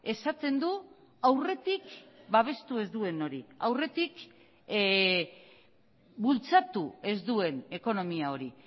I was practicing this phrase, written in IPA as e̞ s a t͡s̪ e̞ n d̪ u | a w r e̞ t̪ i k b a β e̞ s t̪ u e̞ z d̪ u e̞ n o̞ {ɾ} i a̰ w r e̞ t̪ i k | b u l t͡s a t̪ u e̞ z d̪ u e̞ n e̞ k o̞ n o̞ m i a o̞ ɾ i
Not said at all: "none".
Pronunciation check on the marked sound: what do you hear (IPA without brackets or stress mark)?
ɾ